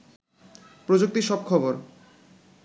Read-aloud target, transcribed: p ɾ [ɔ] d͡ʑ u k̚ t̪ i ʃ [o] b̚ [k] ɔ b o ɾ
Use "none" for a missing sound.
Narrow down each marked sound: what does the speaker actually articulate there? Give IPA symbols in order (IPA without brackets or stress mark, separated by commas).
o, ɔ, kʰ